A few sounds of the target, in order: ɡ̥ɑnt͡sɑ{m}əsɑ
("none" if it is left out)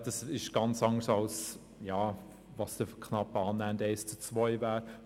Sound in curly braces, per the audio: ŋ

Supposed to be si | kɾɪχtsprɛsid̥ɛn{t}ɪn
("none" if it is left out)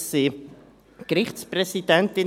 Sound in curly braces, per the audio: t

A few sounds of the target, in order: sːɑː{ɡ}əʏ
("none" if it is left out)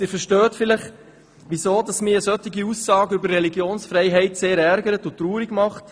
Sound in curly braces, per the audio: ɡ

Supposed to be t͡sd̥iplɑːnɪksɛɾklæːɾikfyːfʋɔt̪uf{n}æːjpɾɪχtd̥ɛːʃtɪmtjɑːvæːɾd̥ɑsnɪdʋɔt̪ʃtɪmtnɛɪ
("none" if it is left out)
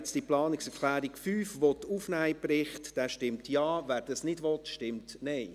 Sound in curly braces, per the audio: n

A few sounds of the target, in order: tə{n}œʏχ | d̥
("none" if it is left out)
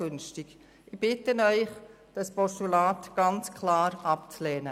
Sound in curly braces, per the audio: n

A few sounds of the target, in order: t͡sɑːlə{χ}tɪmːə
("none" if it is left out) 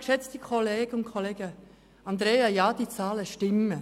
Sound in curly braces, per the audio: ʃ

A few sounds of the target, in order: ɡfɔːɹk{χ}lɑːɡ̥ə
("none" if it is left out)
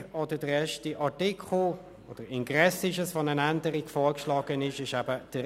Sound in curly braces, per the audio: ʃ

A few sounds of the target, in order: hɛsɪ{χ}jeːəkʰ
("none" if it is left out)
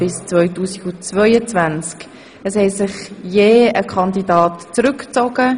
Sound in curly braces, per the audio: χ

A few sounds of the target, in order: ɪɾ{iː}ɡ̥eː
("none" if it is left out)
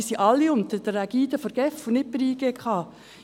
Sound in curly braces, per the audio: iː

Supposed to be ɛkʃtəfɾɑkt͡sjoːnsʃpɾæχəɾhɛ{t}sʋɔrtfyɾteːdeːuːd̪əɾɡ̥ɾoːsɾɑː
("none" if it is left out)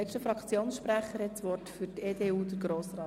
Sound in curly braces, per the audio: t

